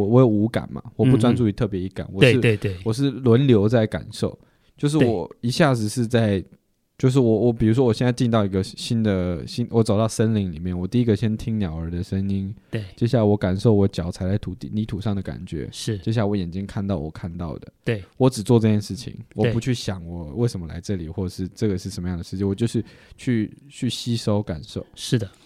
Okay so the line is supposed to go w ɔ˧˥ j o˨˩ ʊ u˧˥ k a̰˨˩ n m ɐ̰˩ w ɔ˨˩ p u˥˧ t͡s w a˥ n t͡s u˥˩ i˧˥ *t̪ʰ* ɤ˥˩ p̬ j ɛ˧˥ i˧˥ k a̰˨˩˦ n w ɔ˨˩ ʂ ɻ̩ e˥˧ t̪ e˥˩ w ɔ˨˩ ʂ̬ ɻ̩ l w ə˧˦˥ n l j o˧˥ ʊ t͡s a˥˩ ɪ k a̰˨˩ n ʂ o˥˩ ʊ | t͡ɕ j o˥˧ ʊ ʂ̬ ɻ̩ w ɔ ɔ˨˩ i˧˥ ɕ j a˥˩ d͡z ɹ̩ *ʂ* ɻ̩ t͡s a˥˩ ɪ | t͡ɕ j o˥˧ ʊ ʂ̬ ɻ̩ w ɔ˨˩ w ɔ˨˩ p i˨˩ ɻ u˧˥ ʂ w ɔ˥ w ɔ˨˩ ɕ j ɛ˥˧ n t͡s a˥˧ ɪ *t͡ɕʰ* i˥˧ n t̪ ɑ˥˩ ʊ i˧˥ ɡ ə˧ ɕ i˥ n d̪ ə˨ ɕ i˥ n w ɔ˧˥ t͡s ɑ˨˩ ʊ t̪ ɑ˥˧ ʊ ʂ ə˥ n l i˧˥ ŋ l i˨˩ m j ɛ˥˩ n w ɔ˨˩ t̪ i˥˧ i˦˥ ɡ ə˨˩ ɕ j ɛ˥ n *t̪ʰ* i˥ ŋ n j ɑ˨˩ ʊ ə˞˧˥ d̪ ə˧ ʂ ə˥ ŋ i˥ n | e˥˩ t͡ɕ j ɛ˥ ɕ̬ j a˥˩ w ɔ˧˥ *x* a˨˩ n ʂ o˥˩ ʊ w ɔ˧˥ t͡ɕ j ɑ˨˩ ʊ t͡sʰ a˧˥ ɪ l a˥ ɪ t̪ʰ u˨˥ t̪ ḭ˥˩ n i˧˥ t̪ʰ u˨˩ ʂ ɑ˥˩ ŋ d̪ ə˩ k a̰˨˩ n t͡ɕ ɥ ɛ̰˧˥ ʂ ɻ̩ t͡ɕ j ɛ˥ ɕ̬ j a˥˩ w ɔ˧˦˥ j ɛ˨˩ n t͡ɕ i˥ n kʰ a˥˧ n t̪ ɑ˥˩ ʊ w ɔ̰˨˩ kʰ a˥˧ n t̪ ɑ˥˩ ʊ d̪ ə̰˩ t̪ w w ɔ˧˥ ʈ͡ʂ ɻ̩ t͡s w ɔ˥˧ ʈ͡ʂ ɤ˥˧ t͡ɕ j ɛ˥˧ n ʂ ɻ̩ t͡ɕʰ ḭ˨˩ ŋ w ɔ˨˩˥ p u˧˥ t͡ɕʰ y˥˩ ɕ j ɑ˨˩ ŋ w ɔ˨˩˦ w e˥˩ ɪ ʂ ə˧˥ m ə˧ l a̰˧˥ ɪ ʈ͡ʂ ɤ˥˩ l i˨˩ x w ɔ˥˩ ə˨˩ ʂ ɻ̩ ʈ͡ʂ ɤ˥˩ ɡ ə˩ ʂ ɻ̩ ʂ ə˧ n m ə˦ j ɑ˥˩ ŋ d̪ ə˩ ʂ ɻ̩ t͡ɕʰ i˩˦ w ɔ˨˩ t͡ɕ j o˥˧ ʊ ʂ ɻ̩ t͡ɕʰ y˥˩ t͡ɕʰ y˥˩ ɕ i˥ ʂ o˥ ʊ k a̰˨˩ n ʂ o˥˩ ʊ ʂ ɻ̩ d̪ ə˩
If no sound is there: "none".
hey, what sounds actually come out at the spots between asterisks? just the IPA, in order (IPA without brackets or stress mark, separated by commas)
t̪ʰ, ʂ, t͡ɕ, t̪ʰ, k